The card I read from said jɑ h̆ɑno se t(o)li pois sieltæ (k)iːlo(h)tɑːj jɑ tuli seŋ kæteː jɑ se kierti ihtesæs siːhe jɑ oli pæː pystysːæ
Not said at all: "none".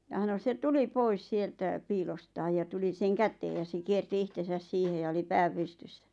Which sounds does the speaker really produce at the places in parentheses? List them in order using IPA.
u, p, s

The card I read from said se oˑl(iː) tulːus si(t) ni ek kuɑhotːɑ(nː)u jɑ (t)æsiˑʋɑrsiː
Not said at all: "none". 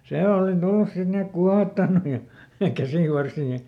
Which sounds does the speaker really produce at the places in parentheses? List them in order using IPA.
i, t, nː, k

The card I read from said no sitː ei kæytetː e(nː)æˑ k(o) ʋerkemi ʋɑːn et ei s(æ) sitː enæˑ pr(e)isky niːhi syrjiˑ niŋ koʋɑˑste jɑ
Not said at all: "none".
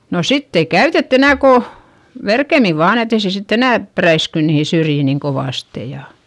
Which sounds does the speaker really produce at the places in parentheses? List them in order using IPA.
n, o, e, æ

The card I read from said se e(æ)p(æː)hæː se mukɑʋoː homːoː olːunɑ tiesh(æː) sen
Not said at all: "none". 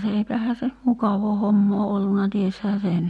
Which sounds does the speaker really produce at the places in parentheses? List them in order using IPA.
i, æ, æː

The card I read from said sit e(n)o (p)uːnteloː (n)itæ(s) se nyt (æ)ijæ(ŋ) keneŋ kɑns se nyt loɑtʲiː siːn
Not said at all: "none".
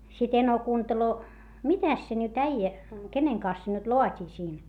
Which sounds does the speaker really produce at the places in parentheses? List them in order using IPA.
n, k, m, s, æ, none

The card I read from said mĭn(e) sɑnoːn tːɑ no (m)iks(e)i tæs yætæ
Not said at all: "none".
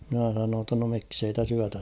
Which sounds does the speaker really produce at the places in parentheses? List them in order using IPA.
æ, m, e

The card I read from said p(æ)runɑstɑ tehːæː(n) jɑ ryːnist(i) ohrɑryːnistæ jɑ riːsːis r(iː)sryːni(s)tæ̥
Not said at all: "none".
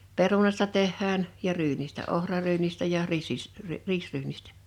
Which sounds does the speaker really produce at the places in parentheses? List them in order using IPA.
e, n, æ, iː, s

